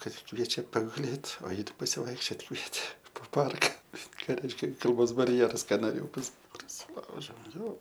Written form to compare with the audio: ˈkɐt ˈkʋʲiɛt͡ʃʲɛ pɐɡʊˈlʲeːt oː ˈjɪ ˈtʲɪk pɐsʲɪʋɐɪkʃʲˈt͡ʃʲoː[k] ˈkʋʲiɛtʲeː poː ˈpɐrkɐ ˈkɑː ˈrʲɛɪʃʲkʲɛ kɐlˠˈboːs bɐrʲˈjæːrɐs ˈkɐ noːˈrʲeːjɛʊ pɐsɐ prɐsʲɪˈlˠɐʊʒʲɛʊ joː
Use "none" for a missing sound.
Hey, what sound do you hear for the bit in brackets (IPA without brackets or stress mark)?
t